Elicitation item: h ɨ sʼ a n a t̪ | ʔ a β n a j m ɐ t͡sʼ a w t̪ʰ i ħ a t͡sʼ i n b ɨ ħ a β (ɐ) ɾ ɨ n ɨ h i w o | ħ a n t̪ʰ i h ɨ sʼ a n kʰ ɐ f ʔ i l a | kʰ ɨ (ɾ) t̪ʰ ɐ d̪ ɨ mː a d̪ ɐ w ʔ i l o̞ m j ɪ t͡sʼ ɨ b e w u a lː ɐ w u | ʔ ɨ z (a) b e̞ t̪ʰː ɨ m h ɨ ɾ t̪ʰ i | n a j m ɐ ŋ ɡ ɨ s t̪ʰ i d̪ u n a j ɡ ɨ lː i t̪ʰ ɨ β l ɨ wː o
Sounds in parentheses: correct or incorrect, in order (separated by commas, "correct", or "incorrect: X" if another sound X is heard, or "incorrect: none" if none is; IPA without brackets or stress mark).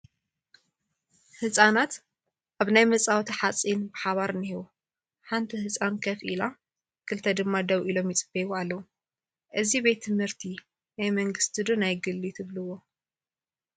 incorrect: a, incorrect: l, incorrect: i